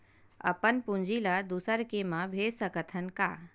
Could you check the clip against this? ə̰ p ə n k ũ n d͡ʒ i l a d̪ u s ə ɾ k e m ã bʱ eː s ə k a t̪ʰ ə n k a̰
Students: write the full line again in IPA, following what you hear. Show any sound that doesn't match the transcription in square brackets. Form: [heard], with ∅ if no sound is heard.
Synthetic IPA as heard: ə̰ p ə n [p] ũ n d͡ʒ i l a d̪ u s ə ɾ k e m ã bʱ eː s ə k [ə] t̪ʰ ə n k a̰